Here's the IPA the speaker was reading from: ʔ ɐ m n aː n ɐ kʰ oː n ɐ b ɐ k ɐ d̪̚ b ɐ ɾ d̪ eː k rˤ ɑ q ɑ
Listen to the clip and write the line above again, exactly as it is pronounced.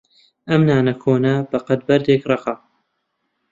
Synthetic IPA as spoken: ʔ ɐ m n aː n ɐ kʰ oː n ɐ b ɐ q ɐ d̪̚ b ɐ ɾ d̪ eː k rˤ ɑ q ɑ